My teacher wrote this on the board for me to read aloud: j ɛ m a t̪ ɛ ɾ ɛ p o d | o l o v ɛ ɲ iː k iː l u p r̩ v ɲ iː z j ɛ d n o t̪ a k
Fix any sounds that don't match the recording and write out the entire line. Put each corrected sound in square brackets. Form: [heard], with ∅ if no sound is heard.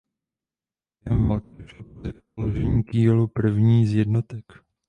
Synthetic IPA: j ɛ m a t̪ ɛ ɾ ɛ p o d | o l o [ʒ] ɛ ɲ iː k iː l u p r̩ v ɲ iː z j ɛ d n o t̪ [ɛ] k